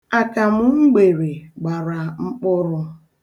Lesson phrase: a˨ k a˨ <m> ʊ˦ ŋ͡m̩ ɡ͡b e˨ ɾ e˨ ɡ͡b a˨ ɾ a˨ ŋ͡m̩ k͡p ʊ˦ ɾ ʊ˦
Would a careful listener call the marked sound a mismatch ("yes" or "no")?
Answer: no